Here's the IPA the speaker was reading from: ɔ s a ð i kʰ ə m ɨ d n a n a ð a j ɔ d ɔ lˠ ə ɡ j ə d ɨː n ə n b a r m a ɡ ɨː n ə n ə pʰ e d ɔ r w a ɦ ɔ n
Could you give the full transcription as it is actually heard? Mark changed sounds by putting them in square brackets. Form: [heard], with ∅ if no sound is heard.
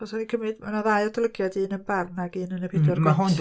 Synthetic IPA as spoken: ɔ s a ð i kʰ ə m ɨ d [m] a n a ð a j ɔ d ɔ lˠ ə ɡ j [a] d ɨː n ə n b a r [n] a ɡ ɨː n ə n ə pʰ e d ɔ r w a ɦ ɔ n